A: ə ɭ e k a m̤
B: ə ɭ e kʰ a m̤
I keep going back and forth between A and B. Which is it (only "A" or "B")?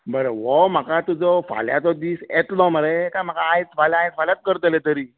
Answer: A